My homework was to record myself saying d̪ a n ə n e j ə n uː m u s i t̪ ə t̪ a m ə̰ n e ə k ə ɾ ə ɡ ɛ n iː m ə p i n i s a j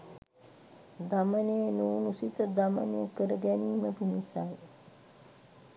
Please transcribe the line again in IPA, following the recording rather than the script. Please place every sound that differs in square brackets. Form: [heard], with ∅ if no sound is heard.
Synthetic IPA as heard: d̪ a [m] ə n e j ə n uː [n] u s i t̪ ə [d̪] a m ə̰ n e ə k ə ɾ ə ɡ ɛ n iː m ə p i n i s a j